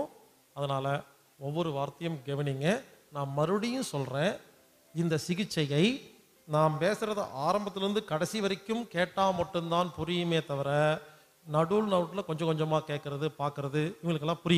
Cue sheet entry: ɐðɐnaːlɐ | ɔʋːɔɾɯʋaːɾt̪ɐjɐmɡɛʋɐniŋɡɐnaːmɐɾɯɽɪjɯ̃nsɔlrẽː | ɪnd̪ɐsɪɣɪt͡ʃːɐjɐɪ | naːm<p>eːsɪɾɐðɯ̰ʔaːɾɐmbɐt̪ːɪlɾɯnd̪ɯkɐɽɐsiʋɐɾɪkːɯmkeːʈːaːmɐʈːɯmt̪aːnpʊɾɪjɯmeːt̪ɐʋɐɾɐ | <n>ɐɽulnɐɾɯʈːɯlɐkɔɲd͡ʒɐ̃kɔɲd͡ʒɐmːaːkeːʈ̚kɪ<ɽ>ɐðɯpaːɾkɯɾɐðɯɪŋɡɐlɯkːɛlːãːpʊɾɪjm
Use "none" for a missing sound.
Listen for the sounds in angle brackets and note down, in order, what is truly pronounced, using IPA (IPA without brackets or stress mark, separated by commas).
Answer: p, n, ɾ